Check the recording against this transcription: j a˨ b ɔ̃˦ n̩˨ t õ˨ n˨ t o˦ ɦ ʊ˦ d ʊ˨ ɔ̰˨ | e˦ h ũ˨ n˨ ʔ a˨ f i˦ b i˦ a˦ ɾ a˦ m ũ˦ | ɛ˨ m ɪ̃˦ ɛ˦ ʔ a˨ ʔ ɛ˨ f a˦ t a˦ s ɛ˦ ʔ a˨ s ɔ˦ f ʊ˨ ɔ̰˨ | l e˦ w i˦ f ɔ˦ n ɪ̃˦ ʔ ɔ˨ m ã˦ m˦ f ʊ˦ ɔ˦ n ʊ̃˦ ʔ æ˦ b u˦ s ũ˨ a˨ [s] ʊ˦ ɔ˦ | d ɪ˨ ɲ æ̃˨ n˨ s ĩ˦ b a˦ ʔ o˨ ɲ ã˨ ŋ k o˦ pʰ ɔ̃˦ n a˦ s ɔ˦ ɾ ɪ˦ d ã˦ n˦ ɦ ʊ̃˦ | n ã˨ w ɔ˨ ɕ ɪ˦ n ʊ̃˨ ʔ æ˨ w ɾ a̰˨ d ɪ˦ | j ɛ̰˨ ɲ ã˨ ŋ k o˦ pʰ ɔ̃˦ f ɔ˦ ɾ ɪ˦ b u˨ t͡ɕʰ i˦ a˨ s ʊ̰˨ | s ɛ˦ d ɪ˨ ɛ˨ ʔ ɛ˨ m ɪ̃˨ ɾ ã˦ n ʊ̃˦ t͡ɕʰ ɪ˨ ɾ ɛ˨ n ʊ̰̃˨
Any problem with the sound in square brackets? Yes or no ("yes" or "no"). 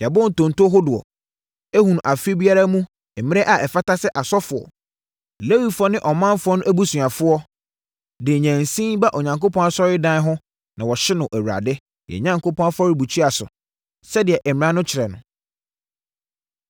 yes